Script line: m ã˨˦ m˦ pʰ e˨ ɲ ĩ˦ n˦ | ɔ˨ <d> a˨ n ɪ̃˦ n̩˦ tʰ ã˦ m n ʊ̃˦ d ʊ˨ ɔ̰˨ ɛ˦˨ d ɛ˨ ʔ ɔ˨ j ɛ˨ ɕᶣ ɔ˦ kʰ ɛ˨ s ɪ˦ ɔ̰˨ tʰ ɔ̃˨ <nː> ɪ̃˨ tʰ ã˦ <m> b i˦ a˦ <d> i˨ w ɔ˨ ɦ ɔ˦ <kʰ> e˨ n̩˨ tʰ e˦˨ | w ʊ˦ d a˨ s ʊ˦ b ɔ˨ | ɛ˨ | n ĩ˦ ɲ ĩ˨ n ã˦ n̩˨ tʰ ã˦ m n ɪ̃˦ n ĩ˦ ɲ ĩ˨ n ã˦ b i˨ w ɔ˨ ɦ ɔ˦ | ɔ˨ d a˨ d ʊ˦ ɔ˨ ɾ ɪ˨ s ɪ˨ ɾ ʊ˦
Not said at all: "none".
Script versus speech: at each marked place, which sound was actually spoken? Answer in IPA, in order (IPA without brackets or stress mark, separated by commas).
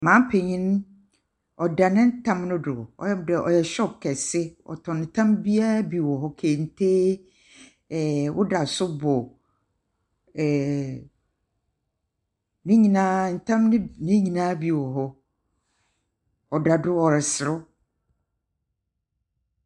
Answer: d, n, m, b, kʰ